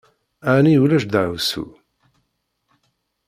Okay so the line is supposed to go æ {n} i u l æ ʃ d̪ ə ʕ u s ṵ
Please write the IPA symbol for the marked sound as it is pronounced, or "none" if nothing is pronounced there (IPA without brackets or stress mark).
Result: n